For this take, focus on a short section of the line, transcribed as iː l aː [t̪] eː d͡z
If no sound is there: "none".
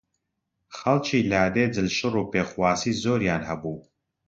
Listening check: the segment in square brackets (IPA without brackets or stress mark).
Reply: d̪